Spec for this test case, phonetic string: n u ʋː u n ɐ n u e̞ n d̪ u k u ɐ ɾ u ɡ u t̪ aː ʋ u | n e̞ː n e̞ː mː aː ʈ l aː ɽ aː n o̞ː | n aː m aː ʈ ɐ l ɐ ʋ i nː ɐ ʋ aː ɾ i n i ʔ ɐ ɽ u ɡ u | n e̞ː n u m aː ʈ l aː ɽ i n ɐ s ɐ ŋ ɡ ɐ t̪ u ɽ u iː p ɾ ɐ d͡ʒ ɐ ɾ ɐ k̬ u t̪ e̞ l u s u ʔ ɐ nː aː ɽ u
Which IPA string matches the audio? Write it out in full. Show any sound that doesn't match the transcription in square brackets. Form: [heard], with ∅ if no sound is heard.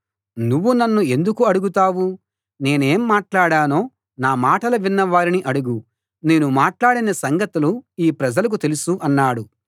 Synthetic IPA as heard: n u ʋː u n ɐ [nː] u e̞ n d̪ u k u ɐ [ɽ] u ɡ u t̪ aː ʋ u | n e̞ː n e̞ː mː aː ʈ l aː ɽ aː n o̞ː | n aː m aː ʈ ɐ l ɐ ʋ i nː ɐ ʋ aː ɾ i n i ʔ ɐ ɽ u ɡ u | n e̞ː n u m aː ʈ l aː ɽ i n ɐ s ɐ ŋ ɡ ɐ t̪ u [l] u iː p ɾ ɐ d͡ʒ ɐ [l] ɐ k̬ u t̪ e̞ l u s u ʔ ɐ nː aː ɽ u